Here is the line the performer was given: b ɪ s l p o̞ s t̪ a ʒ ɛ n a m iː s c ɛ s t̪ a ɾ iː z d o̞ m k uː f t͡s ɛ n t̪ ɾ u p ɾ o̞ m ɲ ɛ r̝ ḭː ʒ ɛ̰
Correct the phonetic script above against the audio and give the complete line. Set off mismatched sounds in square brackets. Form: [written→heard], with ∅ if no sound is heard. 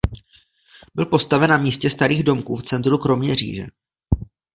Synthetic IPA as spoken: b ɪ [s→∅] l p o̞ s t̪ a [ʒ→v] ɛ n a m iː s c ɛ s t̪ a ɾ iː [z→ɣ] d o̞ m k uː f t͡s ɛ n t̪ ɾ u [p→k] ɾ o̞ m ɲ ɛ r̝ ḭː ʒ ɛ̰